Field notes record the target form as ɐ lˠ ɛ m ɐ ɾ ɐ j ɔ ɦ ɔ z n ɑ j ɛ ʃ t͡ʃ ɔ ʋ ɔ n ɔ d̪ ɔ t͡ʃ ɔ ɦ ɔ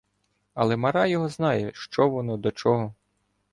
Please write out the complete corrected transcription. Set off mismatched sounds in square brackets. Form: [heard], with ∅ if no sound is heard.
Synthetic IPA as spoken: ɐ lˠ ɛ m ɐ ɾ [ɑ] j ɔ ɦ ɔ z n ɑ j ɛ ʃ t͡ʃ ɔ ʋ ɔ n ɔ d̪ ɔ t͡ʃ ɔ ɦ ɔ